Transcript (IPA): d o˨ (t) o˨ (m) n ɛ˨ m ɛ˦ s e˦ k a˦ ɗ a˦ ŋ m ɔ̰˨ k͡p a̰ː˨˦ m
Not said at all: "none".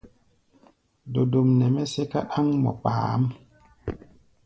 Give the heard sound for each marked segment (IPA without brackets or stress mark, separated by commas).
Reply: d, m